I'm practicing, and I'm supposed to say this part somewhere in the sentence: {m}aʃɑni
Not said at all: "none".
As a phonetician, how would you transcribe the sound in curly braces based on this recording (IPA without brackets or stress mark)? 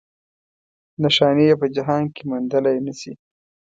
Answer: n